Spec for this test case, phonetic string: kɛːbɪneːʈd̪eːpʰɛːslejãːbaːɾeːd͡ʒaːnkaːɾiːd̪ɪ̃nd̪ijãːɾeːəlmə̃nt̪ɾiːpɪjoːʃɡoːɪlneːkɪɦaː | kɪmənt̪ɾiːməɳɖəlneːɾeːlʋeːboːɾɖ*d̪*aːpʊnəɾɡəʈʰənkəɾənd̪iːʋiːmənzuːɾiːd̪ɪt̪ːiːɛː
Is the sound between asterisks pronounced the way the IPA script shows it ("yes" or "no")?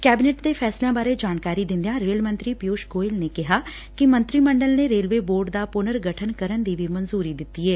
yes